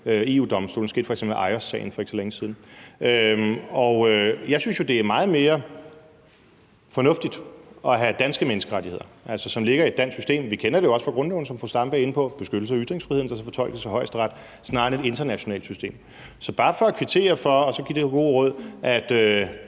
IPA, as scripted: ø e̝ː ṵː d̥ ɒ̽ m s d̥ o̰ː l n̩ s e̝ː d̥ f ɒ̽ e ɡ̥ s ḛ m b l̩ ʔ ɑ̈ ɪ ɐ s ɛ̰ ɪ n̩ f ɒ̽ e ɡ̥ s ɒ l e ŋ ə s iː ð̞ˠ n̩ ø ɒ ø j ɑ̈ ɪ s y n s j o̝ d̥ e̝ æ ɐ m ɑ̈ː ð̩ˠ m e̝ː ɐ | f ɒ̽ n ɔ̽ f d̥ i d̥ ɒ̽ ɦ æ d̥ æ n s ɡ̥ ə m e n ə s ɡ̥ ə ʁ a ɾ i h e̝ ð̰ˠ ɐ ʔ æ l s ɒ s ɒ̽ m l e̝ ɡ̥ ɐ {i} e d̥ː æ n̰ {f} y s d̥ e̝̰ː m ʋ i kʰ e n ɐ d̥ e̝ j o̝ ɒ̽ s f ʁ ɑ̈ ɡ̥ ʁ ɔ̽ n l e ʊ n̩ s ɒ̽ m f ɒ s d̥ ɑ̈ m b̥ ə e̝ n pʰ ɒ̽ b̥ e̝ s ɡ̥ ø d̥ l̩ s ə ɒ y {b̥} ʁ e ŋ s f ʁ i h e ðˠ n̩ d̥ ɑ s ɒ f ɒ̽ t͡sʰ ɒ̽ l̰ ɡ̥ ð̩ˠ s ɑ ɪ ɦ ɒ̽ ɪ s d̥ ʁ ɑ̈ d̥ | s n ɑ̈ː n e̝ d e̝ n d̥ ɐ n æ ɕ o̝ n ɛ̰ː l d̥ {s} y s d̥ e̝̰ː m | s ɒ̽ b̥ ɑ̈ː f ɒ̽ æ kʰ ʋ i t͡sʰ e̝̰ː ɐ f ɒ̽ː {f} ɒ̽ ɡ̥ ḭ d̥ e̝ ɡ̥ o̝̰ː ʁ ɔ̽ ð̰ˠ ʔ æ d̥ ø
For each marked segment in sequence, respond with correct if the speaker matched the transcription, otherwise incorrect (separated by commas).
correct, incorrect, incorrect, correct, incorrect